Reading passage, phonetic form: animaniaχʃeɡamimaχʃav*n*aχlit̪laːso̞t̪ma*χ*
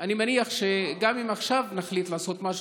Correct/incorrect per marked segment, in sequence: correct, incorrect

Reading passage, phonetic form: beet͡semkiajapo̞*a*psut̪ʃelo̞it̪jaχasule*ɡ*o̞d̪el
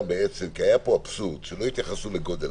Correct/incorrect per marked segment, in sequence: correct, correct

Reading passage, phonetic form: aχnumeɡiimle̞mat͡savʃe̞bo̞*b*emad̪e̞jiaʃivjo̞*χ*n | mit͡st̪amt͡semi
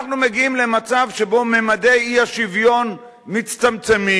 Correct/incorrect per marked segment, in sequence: incorrect, incorrect

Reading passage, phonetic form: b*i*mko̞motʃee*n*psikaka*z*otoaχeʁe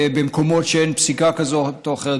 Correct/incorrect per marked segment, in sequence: incorrect, correct, correct

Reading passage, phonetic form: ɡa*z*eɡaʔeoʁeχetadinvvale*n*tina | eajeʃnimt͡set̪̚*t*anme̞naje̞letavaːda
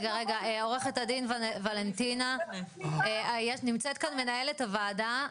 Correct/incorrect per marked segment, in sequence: incorrect, correct, incorrect

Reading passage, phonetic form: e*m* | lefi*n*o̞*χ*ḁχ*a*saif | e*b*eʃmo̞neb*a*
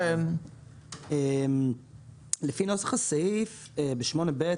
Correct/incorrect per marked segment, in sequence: correct, correct, incorrect, correct, correct, incorrect

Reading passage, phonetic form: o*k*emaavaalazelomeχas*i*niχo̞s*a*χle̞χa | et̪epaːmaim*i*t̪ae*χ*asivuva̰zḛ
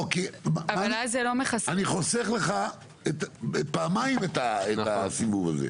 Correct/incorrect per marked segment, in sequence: correct, incorrect, incorrect, incorrect, incorrect

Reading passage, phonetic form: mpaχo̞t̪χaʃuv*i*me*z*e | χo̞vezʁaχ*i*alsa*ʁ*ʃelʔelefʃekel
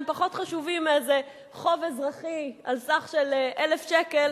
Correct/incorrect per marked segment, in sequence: correct, correct, correct, incorrect

